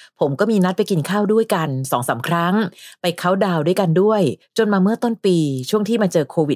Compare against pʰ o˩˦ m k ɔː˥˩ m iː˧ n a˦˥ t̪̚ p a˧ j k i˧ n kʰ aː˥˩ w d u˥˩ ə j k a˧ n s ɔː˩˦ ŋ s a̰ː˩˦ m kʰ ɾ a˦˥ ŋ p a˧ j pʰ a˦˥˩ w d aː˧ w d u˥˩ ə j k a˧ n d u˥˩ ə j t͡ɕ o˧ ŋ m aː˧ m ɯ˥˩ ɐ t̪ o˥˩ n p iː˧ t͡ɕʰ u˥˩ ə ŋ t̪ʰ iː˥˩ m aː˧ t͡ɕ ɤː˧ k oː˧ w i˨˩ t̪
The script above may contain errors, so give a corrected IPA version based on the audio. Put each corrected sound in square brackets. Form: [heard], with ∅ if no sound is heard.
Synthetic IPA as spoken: pʰ o˩˦ m k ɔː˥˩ m iː˧ n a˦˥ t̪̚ p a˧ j k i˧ n kʰ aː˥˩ w d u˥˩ ə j k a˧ n s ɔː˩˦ ŋ s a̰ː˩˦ m kʰ ɾ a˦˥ ŋ p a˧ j [kʰ] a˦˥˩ w d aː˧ w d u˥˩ ə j k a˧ n d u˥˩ ə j t͡ɕ o˧ [n] m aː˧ m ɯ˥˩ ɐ t̪ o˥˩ n p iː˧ t͡ɕʰ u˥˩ ə ŋ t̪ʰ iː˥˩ m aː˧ t͡ɕ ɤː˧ [kʰ] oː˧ w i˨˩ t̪